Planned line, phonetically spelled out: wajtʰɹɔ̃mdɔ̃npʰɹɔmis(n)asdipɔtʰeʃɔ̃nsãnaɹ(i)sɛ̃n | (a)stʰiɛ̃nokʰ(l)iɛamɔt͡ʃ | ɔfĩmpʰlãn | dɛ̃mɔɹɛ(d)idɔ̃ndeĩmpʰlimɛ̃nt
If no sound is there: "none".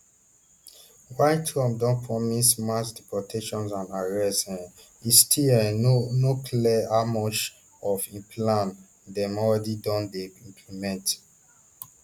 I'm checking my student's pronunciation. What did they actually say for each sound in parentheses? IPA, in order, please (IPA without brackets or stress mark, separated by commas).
m, ɛ, i, l, d